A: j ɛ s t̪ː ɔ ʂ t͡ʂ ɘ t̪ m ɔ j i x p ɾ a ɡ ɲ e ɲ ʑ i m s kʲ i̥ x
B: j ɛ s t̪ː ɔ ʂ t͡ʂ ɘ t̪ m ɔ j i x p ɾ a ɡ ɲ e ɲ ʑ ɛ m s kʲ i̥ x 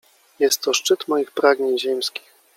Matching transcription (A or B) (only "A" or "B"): B